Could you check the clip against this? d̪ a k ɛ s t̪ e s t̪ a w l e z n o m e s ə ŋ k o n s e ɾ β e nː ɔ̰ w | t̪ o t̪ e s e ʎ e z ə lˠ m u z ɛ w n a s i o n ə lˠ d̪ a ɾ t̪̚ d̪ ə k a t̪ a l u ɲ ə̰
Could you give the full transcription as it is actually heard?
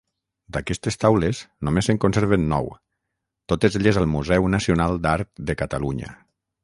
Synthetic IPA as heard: d̪ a k ɛ s t̪ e s t̪ a w l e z n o m e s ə ŋ k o n s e ɾ β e nː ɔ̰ w | t̪ o t̪ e z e ʎ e z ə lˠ m u z ɛ w n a s i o n a lˠ d̪ a ɾ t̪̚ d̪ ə k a t̪ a l u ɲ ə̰